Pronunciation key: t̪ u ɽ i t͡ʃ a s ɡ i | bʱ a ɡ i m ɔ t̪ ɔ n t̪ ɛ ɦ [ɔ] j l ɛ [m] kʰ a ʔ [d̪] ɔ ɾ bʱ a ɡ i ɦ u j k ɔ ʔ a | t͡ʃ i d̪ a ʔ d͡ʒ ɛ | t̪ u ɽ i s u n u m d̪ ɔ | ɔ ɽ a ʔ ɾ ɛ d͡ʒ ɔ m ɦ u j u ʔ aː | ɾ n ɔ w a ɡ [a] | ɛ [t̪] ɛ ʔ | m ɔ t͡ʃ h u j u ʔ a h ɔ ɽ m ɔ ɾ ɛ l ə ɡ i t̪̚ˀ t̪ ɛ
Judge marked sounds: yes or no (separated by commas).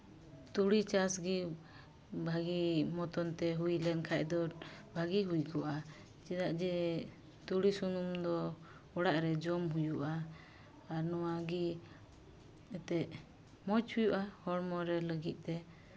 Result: no, no, yes, no, yes